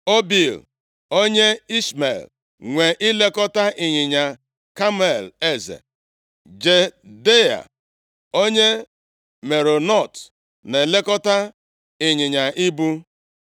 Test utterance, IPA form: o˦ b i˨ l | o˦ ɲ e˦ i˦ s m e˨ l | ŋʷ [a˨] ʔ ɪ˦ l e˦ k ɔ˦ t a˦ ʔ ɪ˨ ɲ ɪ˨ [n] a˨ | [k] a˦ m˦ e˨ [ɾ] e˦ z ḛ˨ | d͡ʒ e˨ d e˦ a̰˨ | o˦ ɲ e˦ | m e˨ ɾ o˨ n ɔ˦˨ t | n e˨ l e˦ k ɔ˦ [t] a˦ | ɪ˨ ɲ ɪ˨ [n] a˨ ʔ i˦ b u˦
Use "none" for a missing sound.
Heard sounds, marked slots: e˨, ɲ, k, l, t, ɲ

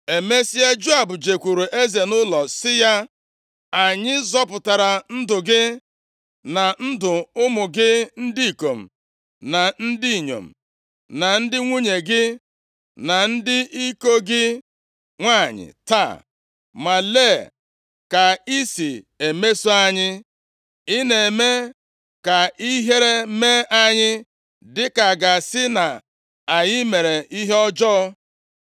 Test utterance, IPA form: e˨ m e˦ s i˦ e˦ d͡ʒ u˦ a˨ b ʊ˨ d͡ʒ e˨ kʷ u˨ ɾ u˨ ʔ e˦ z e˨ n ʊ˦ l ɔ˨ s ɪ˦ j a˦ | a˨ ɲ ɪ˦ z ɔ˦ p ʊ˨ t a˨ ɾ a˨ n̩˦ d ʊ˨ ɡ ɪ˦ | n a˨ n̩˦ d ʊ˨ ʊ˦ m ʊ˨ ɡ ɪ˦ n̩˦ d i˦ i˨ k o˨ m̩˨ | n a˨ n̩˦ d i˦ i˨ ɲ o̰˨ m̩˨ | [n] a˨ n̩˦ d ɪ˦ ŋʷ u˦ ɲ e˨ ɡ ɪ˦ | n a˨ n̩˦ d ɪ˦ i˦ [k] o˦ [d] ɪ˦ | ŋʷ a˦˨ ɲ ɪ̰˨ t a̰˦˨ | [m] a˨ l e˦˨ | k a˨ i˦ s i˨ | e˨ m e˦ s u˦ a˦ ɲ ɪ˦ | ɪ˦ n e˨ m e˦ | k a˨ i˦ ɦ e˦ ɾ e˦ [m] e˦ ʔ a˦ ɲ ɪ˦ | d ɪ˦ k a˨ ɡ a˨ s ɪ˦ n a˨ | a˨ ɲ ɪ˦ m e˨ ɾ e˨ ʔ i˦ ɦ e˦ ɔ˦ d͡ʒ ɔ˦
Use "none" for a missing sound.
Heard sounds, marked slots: n, k, ɡ, m, m

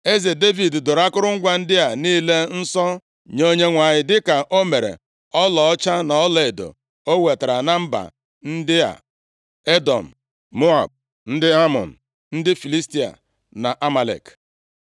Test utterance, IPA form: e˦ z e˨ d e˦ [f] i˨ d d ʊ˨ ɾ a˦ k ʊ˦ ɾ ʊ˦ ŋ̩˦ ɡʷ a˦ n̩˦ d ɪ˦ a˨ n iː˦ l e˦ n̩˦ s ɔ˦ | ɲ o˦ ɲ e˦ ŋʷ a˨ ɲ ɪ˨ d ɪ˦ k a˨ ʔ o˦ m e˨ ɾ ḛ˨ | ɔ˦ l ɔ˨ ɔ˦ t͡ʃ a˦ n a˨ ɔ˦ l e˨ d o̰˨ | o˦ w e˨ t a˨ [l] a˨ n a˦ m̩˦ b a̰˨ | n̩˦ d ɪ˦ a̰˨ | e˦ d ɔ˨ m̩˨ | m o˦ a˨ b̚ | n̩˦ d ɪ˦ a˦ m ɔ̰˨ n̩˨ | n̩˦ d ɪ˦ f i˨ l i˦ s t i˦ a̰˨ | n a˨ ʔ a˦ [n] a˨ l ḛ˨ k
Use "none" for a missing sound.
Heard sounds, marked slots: v, ɾ, m

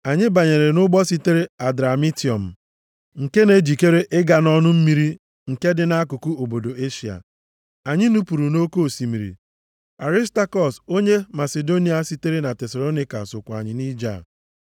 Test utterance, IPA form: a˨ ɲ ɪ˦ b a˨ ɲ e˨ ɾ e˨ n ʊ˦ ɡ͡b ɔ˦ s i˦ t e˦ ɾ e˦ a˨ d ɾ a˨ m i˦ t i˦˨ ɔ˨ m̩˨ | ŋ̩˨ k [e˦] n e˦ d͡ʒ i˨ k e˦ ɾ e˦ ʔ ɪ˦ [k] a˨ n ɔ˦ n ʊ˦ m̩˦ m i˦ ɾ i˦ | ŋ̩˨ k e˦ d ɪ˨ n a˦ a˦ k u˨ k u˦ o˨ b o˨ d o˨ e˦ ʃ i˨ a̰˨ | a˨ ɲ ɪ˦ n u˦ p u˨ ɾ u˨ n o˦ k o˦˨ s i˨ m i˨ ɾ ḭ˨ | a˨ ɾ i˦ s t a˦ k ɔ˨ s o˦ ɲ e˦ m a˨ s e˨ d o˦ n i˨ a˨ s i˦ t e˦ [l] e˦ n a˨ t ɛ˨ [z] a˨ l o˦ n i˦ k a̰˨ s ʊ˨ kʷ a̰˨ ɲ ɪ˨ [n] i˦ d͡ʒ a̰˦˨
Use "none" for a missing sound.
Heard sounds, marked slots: e˦, ɡ, ɾ, s, n

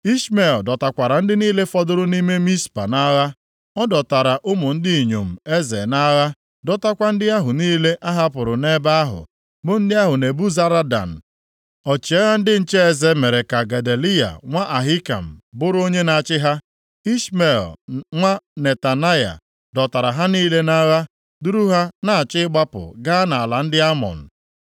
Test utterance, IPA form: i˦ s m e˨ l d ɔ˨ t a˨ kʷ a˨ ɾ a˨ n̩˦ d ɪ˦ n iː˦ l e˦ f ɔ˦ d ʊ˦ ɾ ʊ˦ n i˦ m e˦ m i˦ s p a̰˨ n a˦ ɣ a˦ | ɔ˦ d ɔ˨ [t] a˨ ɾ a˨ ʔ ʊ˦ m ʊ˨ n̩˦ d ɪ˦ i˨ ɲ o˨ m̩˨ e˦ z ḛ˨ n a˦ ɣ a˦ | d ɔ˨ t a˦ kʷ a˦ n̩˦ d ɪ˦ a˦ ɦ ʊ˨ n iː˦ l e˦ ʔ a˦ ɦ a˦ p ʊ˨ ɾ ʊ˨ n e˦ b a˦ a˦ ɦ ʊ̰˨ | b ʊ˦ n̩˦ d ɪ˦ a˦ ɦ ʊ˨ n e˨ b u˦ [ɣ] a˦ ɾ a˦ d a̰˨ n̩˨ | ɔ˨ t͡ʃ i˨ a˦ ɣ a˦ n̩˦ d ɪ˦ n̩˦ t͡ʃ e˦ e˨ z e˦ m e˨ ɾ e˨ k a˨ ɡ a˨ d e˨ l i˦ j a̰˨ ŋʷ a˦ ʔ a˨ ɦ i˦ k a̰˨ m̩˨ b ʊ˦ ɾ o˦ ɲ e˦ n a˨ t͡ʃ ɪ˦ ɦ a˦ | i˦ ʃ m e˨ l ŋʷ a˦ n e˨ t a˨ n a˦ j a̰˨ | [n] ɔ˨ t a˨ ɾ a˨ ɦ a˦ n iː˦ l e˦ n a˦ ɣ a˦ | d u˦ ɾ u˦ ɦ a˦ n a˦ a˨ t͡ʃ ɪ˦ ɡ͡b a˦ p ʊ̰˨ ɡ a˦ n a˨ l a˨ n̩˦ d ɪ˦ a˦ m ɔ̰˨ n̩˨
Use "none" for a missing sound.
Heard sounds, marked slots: t, z, d

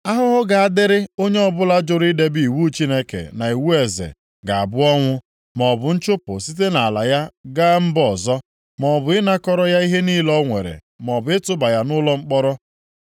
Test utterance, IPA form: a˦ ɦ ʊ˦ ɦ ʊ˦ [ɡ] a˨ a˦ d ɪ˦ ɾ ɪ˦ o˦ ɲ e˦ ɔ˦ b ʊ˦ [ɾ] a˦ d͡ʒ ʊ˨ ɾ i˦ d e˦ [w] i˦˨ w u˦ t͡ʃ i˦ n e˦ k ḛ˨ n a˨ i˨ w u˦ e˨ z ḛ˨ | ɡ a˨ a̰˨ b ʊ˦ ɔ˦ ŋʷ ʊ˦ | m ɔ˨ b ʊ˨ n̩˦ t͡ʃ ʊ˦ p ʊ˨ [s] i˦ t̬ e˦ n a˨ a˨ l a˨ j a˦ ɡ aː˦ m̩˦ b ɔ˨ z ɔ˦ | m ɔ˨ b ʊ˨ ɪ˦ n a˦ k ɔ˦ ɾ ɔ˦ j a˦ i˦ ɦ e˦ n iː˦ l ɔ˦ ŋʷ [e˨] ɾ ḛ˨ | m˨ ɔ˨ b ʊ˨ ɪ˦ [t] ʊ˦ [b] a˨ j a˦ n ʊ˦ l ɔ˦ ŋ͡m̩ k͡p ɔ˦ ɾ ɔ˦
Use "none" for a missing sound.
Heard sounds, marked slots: ɡ, l, b, s, e˨, t, b

